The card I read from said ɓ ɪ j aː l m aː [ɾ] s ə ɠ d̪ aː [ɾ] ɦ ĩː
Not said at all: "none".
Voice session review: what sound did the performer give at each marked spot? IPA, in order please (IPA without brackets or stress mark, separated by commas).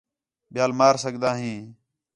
ɾ, none